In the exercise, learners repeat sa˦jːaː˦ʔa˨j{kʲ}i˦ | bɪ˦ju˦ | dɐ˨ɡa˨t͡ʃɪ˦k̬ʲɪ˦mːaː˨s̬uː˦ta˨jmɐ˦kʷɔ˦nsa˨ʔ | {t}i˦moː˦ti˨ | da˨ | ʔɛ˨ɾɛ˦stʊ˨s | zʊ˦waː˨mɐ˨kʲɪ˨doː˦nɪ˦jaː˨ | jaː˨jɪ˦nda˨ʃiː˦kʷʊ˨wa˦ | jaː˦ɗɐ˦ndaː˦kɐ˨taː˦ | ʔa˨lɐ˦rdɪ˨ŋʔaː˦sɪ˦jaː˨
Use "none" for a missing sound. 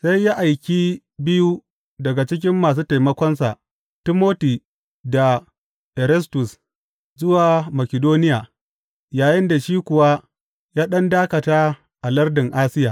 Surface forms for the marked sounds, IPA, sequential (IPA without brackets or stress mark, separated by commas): kʲ, t